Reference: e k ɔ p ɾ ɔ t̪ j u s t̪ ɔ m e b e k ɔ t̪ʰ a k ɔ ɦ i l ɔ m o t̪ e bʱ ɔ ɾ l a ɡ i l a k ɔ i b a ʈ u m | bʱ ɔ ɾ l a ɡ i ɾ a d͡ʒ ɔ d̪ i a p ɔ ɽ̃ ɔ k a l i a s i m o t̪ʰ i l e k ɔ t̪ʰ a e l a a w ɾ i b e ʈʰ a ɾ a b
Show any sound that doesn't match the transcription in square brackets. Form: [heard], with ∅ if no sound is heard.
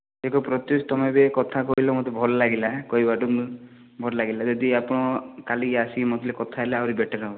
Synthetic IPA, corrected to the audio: e k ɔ p ɾ ɔ t̪ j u s t̪ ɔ m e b e k ɔ t̪ʰ a k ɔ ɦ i l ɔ m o t̪ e bʱ ɔ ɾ l a ɡ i l a k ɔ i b a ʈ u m | bʱ ɔ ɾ l a ɡ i [l] a d͡ʒ ɔ d̪ i a p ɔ ɽ̃ ɔ k a l i a s i m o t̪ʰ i l e k ɔ t̪ʰ a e l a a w ɾ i b e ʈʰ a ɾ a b